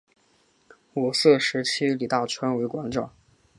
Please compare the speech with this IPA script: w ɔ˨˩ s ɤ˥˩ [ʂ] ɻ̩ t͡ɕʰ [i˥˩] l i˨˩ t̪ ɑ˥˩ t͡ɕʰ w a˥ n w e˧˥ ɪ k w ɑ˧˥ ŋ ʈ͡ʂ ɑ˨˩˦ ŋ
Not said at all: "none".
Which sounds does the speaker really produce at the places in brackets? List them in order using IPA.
ʂ, i˥

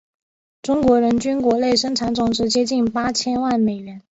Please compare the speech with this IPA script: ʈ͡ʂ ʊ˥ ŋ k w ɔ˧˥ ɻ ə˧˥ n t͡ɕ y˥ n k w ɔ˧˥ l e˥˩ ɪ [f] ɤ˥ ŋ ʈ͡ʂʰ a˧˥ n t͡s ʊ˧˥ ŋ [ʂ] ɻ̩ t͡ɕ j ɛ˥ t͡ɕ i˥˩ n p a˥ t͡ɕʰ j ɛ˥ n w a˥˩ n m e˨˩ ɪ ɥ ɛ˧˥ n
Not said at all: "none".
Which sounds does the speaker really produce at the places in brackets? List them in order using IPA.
ʂ, ʈ͡ʂ

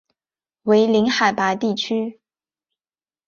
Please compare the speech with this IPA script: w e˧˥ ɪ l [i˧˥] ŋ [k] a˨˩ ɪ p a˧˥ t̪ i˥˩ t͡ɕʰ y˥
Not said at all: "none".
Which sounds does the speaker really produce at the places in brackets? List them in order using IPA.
i˧˥, x

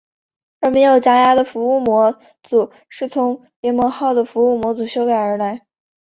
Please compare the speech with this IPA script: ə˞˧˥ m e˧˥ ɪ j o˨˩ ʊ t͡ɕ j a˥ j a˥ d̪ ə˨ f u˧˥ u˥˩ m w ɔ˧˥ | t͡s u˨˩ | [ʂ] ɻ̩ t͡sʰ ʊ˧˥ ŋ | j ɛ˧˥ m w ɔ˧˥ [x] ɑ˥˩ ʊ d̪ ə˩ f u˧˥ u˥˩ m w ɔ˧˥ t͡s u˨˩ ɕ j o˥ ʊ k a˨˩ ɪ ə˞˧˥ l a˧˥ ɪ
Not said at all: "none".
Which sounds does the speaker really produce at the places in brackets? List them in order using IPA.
ʂ, x

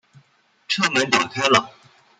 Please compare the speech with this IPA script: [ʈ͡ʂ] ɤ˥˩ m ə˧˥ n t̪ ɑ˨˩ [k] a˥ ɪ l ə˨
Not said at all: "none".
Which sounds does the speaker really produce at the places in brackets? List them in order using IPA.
ʈ͡ʂʰ, kʰ

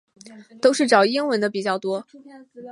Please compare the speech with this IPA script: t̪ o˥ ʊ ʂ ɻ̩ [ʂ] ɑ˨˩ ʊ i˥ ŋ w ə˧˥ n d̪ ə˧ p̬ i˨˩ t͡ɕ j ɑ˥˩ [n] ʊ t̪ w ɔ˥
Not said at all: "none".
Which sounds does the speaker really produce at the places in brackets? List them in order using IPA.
ʈ͡ʂ, none

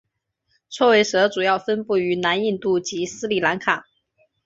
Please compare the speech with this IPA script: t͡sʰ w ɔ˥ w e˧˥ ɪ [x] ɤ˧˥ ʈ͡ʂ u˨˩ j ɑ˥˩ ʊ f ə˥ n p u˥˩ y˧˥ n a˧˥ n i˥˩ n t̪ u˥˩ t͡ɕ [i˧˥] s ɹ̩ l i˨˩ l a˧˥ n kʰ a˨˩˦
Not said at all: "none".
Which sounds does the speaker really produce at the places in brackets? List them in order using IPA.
ʂ, i˧˥

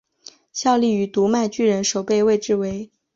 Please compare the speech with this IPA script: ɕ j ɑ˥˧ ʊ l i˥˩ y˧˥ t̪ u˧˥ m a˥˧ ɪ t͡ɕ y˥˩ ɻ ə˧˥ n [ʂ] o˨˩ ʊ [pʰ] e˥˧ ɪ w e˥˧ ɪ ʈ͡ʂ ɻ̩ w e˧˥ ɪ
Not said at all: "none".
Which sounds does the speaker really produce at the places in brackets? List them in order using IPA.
ʂ, p

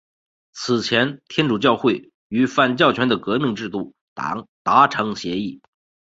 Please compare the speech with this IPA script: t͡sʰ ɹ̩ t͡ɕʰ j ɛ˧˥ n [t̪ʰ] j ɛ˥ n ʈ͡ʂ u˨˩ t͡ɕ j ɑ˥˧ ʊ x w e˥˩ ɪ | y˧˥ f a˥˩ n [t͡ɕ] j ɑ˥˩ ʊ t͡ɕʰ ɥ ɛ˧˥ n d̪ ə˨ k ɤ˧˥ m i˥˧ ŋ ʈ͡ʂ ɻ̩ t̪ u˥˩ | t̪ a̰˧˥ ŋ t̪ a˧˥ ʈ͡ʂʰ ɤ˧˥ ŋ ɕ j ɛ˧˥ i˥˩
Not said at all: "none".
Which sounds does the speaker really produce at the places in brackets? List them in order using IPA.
t̪ʰ, t͡ɕ

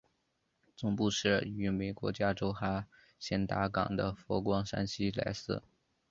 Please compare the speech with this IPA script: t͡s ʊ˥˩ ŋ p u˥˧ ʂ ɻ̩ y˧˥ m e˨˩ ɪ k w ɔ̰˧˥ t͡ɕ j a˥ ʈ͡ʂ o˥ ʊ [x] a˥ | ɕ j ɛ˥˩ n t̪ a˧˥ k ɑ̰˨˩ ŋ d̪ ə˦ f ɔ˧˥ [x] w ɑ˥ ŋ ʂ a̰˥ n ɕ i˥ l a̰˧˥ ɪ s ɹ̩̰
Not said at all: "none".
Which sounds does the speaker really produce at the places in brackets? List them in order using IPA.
x, k

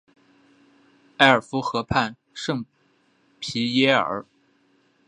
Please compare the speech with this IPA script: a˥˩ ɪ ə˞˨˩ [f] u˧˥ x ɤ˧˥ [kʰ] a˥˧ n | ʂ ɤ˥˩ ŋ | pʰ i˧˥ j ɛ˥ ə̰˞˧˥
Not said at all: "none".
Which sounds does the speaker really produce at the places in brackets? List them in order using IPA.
f, pʰ

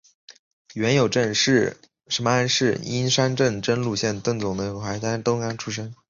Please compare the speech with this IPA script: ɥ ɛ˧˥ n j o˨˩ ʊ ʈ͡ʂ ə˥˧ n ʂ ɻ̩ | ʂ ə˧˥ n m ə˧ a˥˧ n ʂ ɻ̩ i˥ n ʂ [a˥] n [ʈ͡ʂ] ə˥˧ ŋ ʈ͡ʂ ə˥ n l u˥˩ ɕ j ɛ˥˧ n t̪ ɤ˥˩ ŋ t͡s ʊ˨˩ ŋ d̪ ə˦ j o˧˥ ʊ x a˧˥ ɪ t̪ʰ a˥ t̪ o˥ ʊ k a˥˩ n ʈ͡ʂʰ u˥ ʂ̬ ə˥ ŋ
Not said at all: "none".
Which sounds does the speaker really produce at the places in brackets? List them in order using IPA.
a˥, ʈ͡ʂ

